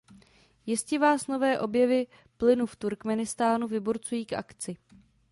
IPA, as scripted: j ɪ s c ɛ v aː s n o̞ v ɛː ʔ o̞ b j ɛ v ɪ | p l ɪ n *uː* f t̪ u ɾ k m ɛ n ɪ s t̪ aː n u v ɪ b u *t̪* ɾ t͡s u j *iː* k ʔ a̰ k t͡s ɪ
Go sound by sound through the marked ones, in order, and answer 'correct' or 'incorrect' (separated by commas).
incorrect, incorrect, correct